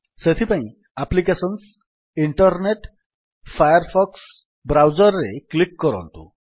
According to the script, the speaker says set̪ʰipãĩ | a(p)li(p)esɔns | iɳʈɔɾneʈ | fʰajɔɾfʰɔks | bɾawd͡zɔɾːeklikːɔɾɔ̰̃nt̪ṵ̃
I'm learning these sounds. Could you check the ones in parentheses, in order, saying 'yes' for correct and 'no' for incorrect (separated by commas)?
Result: yes, no